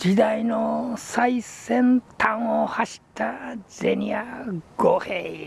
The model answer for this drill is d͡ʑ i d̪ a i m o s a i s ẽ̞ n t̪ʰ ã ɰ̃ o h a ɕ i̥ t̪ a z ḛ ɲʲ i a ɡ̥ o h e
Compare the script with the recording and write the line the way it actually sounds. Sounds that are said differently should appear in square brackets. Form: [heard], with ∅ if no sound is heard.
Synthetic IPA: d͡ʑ i d̪ a i [n] o s a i s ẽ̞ n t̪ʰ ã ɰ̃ o h a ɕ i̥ t̪ a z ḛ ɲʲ i a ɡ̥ o h e